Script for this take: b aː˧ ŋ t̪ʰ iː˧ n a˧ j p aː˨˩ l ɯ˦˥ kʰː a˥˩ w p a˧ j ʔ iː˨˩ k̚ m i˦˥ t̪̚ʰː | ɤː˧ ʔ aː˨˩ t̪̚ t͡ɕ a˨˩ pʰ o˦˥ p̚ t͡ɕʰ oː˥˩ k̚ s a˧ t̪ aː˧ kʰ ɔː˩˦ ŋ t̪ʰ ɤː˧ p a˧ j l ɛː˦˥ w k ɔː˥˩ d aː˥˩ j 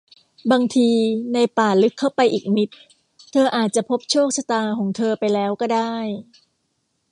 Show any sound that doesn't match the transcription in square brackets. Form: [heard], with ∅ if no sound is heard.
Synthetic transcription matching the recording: b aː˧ ŋ t̪ʰ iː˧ n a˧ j p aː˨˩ l ɯ˦˥ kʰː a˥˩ w p a˧ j ʔ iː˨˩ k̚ m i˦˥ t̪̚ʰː | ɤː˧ ʔ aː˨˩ t̪̚ t͡ɕ a˨˩ pʰ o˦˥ p̚ t͡ɕʰ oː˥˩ k̚ s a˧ t̪ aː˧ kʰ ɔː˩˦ ŋ t̪ʰ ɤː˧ p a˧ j l ɛː˦˥ w k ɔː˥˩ d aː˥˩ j

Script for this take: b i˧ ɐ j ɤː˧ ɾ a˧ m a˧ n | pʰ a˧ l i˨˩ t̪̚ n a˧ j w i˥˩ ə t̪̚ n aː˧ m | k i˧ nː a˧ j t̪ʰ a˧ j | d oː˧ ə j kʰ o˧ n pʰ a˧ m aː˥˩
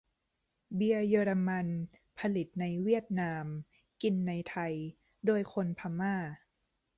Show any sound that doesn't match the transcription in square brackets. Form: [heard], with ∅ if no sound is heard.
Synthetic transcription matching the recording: b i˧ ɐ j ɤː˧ ɾ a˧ m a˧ n | pʰ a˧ l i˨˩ t̪̚ n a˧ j w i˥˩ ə t̪̚ n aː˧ m | k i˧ nː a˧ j t̪ʰ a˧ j | d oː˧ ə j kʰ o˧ n pʰ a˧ m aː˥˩

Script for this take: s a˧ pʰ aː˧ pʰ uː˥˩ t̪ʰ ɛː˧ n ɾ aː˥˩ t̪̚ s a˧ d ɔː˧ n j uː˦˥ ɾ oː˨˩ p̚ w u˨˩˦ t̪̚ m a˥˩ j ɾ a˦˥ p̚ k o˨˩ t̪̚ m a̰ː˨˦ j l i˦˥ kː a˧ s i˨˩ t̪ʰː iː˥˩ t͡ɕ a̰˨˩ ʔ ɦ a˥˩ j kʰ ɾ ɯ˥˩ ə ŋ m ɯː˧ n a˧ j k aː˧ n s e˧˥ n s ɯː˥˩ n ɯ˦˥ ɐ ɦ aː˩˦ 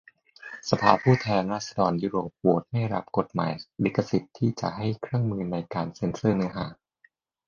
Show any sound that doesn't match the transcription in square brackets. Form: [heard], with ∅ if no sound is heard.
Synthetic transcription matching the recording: s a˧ pʰ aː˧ pʰ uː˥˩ t̪ʰ ɛː˧ n ɾ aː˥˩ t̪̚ s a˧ d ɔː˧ n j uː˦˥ ɾ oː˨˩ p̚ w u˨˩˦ t̪̚ m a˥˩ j ɾ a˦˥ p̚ k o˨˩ t̪̚ m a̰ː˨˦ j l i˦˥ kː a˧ s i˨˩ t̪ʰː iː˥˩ t͡ɕ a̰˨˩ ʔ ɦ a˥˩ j kʰ ɾ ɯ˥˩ ə ŋ m ɯː˧ n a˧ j k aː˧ n s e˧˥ n s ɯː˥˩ n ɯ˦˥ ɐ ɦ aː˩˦

